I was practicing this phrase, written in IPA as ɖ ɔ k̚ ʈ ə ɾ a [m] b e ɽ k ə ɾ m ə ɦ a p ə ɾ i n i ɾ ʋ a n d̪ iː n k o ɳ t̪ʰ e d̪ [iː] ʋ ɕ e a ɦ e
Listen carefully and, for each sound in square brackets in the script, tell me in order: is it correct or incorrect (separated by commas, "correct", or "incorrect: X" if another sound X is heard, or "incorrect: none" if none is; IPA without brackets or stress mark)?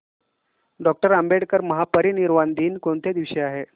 correct, incorrect: i